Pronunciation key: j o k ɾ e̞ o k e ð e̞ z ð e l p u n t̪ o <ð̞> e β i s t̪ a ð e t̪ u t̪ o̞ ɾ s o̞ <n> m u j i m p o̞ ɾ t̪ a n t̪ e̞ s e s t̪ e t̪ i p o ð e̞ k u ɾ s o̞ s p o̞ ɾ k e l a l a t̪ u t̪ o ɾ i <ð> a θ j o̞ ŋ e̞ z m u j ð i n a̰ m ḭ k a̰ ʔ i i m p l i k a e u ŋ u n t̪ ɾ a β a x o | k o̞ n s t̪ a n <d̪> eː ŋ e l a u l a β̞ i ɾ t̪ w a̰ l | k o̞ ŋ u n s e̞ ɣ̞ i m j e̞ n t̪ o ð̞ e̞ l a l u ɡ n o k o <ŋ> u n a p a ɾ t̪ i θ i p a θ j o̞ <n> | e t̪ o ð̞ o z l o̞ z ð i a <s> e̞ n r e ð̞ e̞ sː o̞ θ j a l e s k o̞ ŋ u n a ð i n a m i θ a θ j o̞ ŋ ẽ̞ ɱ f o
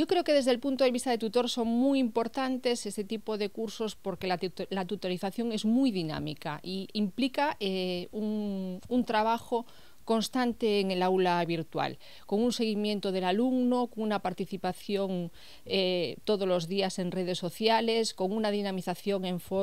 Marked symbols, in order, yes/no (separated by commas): yes, no, no, no, yes, no, yes